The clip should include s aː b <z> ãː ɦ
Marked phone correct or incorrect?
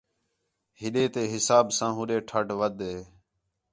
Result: incorrect